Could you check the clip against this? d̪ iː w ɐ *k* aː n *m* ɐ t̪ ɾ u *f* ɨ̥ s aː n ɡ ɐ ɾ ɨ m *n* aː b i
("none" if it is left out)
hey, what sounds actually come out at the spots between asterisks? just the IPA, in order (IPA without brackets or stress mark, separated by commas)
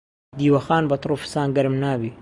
x, b, f, n